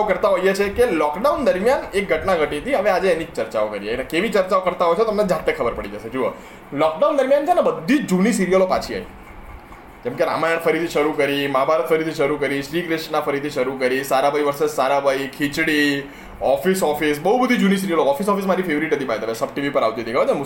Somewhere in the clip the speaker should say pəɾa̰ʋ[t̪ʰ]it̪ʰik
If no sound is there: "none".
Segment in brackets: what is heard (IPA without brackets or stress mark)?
t̪